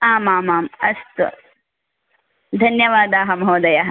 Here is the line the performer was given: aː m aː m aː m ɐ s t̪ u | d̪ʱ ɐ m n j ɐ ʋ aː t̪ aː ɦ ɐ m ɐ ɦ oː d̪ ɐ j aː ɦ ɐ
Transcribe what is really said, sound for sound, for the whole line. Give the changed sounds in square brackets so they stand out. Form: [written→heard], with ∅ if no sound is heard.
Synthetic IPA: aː m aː m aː m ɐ s t̪ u | d̪ʱ ɐ [m→∅] n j ɐ ʋ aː [t̪→d̪] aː ɦ ɐ m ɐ ɦ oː d̪ ɐ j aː ɦ ɐ